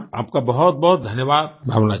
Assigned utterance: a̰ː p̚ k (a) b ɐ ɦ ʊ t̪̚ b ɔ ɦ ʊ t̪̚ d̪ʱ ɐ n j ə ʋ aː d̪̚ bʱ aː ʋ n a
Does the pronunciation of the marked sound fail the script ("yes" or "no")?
no